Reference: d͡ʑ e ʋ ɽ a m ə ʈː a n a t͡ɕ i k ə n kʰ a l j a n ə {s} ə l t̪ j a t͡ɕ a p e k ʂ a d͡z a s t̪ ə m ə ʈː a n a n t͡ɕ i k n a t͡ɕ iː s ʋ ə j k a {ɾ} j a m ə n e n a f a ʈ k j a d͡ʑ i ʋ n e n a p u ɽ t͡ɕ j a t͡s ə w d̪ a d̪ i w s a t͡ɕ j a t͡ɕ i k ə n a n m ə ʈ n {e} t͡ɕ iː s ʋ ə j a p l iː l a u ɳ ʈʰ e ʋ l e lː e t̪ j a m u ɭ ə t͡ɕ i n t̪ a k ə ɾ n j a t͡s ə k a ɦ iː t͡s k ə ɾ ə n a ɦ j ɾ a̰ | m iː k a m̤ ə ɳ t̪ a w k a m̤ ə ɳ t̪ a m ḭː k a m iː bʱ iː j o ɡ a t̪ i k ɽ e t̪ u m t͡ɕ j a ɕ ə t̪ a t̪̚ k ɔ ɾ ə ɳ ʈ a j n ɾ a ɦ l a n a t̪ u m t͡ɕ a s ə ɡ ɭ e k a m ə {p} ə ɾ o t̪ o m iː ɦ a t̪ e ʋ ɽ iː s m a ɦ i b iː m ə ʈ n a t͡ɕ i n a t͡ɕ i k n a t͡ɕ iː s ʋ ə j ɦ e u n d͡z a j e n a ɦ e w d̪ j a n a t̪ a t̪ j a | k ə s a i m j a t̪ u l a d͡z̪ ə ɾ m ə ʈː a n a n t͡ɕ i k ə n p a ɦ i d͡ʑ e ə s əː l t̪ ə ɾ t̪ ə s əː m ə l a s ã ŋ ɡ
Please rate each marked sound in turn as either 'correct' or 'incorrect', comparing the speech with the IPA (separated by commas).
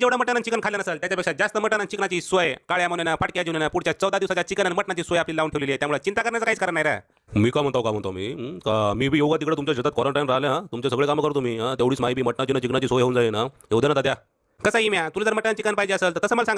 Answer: correct, incorrect, incorrect, incorrect